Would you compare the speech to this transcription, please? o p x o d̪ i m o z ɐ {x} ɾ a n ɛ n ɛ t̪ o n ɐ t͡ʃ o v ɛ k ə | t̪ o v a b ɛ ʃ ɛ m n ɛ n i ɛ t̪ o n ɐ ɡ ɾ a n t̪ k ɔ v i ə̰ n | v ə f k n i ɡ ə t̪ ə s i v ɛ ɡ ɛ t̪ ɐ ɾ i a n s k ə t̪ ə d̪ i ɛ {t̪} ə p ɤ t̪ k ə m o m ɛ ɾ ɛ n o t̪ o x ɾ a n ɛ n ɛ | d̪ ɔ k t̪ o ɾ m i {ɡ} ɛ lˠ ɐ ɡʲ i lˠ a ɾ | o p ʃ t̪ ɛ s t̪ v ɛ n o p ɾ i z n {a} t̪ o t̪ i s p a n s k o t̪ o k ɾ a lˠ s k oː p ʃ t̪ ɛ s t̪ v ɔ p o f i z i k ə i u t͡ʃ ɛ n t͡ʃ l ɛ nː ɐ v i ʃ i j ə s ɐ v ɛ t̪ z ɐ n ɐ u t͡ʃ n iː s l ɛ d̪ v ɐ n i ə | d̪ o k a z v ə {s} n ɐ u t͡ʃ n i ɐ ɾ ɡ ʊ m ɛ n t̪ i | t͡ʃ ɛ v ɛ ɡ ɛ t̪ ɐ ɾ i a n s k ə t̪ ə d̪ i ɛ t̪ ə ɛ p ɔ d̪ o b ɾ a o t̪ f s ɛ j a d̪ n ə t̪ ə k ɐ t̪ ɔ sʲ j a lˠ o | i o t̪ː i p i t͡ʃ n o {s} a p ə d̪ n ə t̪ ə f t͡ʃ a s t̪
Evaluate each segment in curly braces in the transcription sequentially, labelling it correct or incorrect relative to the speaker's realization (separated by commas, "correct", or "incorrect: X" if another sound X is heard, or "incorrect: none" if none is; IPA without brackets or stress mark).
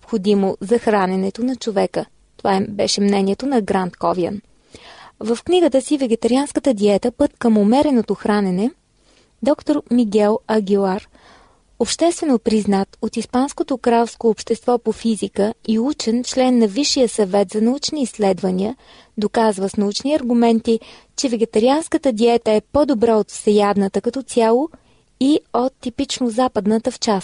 correct, correct, correct, correct, correct, incorrect: z